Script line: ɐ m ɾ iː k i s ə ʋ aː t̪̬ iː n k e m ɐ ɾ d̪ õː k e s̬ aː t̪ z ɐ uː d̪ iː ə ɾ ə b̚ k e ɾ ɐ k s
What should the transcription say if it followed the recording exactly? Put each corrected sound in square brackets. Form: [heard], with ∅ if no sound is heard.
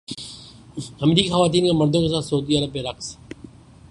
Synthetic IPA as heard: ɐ m ɾ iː k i [x] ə ʋ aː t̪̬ iː n k e m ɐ ɾ d̪ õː k e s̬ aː t̪ [s] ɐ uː d̪ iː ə ɾ ə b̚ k e ɾ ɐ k s